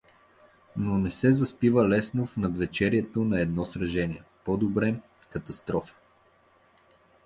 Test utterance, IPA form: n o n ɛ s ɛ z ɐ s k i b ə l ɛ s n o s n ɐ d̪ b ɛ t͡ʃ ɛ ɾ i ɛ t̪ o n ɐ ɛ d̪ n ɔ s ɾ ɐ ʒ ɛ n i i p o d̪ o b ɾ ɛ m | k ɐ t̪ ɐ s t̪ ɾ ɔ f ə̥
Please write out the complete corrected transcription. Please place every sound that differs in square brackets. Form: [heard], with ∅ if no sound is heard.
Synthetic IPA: n o n ɛ s ɛ z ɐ s [p] i [v] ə l ɛ s n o [f] n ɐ d̪ [v] ɛ t͡ʃ ɛ ɾ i ɛ t̪ o n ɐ ɛ d̪ n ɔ s ɾ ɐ ʒ ɛ n i [ɛ] p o d̪ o b ɾ ɛ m | k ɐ t̪ ɐ s t̪ ɾ ɔ f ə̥